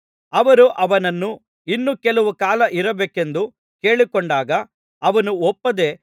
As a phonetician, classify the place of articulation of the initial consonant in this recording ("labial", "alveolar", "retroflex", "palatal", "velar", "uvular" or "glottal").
labial